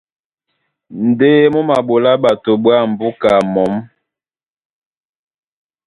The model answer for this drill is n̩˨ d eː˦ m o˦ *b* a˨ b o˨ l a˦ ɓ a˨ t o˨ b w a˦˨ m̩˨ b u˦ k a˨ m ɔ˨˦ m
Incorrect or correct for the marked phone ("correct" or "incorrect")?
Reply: incorrect